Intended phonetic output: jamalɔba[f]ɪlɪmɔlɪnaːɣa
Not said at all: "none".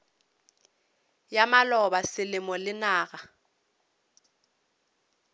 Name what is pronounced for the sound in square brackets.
s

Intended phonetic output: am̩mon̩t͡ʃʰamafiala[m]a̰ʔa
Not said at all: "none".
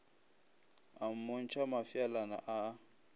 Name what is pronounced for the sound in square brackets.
n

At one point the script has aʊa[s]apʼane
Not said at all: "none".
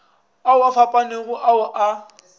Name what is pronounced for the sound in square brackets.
f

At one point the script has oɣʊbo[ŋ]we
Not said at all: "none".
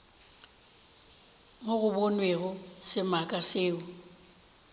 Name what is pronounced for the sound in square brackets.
n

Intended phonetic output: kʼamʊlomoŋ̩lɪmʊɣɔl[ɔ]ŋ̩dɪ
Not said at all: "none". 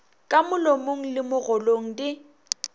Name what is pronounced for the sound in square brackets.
o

